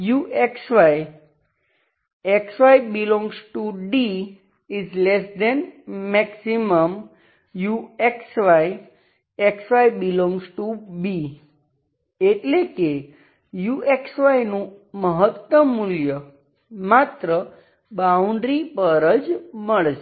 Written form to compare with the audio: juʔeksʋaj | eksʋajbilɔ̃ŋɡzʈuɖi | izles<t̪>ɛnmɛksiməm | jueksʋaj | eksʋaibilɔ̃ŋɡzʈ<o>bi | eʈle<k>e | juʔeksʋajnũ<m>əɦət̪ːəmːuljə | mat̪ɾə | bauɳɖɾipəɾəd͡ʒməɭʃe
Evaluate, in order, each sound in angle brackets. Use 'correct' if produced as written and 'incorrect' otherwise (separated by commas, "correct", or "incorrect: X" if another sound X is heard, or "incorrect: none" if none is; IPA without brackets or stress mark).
incorrect: d̪, incorrect: u, correct, correct